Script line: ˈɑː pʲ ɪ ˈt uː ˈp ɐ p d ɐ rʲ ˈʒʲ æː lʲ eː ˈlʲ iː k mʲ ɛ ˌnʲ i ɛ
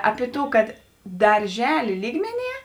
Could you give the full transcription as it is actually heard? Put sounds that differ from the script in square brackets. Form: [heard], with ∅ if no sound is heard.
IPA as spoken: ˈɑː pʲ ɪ ˈt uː [ˈk] ɐ [t] d ɐ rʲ ˈʒʲ æː lʲ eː ˈlʲ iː [ɡ] mʲ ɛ ˌnʲ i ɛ